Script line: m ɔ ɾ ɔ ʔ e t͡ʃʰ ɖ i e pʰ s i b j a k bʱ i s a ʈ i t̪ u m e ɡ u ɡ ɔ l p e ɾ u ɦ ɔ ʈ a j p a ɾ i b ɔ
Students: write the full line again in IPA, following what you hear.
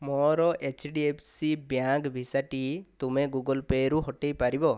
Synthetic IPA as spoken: m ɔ ɾ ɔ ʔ e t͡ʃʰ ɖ i e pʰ s i b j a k bʱ i s a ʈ i t̪ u m e ɡ u ɡ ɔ l p e ɾ u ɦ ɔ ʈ e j p a ɾ i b ɔ